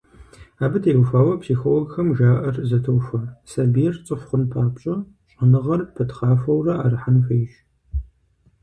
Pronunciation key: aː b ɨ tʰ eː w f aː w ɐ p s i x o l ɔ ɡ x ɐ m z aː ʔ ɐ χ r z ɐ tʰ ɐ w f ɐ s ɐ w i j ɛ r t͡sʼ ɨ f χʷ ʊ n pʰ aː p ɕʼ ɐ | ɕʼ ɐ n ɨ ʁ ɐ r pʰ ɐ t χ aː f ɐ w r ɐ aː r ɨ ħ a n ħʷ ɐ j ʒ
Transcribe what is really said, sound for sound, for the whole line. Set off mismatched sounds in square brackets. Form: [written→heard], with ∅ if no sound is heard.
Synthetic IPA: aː b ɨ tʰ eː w f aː w ɐ p s i x o l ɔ ɡ x ɐ m [z→ʒ] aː ʔ ɐ [χ→∅] r z ɐ tʰ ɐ w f ɐ s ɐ [w→b] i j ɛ r t͡sʼ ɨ f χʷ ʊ n pʰ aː p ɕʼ ɐ | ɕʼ ɐ n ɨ ʁ ɐ r pʰ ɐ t χ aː f ɐ w r ɐ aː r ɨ ħ a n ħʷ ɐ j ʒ